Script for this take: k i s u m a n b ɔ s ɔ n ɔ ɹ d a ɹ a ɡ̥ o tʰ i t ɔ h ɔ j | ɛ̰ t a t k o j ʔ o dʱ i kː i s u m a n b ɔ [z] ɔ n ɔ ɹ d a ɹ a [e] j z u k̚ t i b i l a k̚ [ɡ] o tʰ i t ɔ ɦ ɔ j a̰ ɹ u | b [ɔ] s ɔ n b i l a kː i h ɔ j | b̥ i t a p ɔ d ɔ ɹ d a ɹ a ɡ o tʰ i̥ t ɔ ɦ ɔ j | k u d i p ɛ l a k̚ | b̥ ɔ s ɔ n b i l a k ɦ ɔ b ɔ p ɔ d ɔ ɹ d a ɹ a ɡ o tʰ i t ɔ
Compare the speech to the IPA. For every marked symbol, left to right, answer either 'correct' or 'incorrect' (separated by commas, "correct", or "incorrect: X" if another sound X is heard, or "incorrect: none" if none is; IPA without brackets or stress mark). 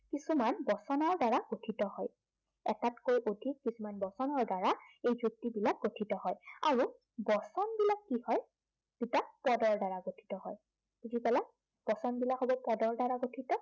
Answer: incorrect: s, correct, correct, correct